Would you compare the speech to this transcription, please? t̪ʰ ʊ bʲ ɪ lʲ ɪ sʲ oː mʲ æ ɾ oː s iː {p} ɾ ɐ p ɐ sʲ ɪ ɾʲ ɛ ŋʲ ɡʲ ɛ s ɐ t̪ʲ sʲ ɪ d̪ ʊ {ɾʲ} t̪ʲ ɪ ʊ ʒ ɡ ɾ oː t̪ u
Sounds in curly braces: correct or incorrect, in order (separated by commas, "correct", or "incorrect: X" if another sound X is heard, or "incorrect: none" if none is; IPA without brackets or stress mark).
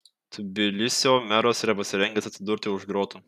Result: incorrect: none, correct